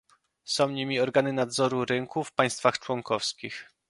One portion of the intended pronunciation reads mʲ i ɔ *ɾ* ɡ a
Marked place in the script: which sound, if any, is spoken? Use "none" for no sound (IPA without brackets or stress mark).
ɾ